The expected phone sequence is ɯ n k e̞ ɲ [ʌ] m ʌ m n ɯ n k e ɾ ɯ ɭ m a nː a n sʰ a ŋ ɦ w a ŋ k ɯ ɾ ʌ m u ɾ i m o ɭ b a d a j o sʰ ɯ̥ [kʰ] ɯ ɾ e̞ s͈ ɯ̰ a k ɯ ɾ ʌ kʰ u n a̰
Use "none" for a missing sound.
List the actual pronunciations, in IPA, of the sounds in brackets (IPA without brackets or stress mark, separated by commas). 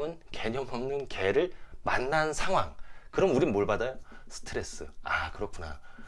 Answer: ʌ, tʰ